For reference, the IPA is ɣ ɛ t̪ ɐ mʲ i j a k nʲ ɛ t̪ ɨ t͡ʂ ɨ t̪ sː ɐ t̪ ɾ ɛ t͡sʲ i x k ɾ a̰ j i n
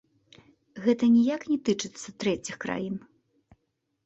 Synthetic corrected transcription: ɣ ɛ t̪ ɐ nʲ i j a k nʲ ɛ t̪ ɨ t͡ʂ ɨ t̪ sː ɐ t̪ ɾ ɛ t͡sʲ i x k ɾ a̰ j i n